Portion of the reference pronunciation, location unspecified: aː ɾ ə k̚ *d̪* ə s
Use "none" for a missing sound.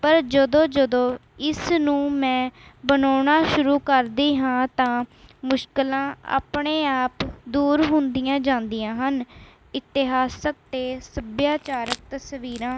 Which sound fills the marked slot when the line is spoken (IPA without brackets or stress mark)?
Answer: t̪